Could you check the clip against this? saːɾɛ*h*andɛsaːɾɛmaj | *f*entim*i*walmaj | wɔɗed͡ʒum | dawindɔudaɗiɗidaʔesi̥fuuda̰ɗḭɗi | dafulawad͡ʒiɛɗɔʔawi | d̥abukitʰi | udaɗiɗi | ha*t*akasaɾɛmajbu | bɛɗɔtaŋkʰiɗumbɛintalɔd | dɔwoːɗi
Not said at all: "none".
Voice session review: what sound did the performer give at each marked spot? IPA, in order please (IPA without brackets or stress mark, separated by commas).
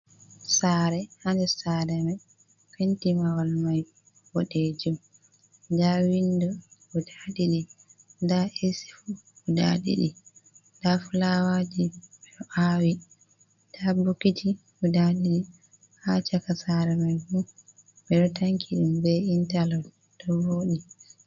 h, f, a, t͡ʃ